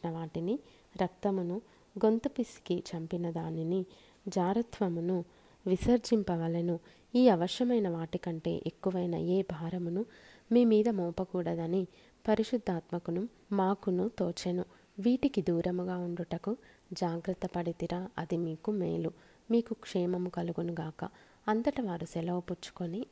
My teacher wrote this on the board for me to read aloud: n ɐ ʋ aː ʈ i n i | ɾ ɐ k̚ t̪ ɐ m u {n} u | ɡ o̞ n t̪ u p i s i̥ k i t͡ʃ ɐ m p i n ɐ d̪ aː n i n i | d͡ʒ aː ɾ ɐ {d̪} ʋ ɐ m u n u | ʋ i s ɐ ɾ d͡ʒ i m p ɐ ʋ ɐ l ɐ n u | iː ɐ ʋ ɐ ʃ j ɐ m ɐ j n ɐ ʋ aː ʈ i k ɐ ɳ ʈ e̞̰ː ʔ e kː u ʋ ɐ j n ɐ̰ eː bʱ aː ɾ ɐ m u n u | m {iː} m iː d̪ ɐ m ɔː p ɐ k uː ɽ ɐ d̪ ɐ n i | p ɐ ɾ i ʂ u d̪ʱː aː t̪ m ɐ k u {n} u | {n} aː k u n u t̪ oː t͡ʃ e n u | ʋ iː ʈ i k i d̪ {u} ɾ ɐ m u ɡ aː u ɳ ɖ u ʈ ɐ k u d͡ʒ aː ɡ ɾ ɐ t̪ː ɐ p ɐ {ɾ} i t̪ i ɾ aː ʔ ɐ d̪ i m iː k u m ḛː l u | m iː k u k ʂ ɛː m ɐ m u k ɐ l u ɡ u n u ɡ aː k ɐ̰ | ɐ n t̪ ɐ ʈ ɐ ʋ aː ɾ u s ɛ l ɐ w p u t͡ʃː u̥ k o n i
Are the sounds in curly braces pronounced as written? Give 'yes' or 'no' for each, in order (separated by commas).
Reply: yes, no, yes, yes, no, no, no